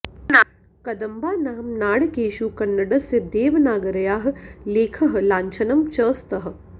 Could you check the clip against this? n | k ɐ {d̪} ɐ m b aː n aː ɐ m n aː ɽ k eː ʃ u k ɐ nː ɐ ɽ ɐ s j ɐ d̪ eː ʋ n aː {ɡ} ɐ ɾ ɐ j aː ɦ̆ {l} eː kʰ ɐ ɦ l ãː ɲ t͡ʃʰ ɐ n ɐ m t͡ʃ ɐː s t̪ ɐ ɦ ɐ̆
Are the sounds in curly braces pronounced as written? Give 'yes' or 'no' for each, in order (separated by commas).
yes, yes, yes